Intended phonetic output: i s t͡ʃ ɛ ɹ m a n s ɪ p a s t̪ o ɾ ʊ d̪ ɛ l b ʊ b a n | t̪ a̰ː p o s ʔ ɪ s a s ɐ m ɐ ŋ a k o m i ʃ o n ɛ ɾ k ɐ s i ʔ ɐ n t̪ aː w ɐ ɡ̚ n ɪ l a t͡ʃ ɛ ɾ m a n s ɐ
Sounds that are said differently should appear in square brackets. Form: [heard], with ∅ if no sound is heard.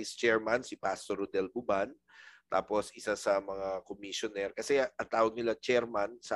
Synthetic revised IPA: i s t͡ʃ ɛ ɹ m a n s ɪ p a s t̪ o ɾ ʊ d̪ ɛ l b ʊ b a n | t̪ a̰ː p o s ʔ ɪ s a s ɐ m ɐ ŋ a k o m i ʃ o n ɛ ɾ k ɐ s [ɛ] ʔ ɐ n t̪ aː w ɐ ɡ̚ n ɪ l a t͡ʃ ɛ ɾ m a n s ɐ